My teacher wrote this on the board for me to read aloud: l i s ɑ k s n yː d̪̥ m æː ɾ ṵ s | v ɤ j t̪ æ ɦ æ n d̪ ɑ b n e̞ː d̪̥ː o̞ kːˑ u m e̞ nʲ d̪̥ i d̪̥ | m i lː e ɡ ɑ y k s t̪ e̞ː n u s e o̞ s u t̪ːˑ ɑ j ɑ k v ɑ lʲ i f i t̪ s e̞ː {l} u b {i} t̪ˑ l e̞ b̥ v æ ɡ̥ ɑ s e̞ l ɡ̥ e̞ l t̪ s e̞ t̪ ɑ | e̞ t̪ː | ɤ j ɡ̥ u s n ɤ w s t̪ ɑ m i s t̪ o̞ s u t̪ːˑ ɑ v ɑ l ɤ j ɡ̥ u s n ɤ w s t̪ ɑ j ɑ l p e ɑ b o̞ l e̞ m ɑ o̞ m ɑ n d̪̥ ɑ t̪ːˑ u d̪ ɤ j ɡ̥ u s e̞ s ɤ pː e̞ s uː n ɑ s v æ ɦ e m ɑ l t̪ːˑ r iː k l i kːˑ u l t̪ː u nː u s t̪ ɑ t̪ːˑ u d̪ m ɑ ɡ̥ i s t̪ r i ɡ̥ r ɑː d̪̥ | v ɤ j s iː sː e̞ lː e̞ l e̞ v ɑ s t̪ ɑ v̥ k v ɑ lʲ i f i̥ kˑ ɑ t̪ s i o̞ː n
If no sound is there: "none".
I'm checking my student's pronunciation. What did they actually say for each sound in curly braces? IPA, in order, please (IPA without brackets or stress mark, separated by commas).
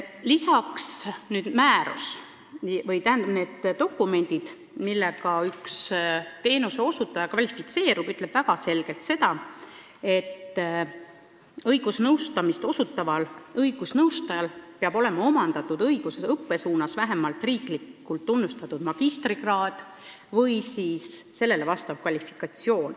ɾ, y